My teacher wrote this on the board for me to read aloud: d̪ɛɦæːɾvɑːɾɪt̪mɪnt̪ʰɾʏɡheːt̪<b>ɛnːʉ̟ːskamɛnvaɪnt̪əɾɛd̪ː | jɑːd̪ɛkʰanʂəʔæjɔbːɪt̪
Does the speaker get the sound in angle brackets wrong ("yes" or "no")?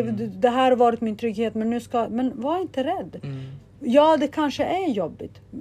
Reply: yes